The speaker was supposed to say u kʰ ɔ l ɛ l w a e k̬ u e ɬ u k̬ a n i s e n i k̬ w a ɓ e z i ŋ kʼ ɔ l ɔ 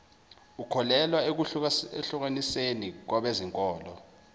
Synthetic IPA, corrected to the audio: u kʰ ɔ l ɛ l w a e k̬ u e ɬ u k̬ a n i s e n i k̬ w a ɓ e z i ŋ kʼ ɔː l ɔ